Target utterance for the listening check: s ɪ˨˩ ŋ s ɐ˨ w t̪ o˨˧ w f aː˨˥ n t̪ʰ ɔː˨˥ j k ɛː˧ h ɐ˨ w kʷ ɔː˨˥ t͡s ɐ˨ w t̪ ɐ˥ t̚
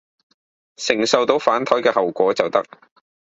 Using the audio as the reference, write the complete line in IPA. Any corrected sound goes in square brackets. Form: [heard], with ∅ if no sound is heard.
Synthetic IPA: s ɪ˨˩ ŋ s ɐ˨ w t̪ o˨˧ w f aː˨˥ n t̪ʰ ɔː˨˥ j k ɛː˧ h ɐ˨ w kʷ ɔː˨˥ t͡s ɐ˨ w t̪ ɐ˥ [k̚]